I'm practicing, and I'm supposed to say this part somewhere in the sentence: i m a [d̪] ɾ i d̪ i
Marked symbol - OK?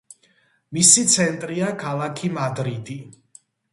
yes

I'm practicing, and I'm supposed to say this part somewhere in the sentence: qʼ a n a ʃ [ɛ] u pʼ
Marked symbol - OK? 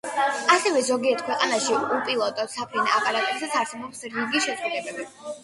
no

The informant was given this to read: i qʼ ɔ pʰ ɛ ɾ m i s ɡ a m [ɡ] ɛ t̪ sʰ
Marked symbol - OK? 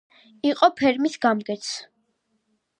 yes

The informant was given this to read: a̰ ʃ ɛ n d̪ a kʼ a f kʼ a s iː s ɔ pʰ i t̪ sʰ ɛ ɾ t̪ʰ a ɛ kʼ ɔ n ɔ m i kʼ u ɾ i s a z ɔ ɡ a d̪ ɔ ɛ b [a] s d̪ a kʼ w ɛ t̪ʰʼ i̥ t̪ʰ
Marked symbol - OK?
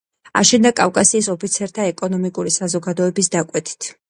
no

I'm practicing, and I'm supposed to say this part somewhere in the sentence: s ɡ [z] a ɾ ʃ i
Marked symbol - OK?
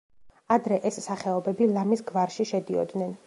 no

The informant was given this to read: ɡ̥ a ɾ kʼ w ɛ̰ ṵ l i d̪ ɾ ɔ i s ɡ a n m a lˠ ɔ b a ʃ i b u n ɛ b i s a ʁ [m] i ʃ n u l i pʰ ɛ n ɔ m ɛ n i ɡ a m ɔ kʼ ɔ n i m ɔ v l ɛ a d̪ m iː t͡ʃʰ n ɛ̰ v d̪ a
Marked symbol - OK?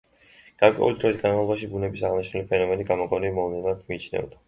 no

